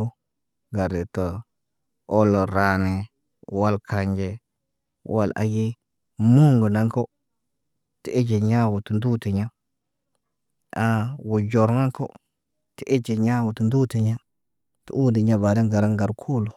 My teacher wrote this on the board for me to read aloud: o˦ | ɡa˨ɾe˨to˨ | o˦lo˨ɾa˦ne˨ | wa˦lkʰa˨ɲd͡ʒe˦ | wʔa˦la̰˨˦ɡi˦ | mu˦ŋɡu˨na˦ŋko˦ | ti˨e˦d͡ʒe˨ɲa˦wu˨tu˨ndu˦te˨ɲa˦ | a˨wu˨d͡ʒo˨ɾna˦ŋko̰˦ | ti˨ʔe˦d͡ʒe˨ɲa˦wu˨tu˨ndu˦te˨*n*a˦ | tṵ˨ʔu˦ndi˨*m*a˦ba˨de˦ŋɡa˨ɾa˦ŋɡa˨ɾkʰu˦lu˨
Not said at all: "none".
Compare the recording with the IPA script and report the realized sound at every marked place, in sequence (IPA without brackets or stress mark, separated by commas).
ɲ, ɲ